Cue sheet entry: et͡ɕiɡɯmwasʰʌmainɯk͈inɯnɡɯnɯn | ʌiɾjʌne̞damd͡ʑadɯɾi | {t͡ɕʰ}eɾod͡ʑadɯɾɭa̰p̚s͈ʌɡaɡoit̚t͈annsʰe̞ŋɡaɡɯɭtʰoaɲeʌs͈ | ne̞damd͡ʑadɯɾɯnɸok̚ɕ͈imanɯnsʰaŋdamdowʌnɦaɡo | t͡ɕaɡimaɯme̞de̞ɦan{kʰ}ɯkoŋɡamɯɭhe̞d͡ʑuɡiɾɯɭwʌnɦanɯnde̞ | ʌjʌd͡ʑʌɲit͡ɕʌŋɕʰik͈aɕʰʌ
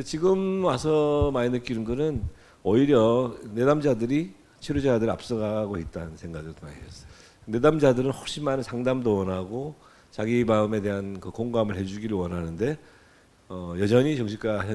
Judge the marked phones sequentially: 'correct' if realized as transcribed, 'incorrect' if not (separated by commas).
correct, incorrect